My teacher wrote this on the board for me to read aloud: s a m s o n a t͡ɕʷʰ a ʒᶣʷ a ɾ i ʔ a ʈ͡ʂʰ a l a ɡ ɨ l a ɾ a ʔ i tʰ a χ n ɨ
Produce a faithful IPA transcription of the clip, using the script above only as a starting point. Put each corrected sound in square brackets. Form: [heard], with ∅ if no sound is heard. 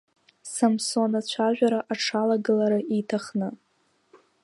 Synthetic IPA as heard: s a m s o n a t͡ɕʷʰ a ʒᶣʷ a ɾ [a] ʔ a ʈ͡ʂʰ a l a ɡ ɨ l a ɾ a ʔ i tʰ a χ n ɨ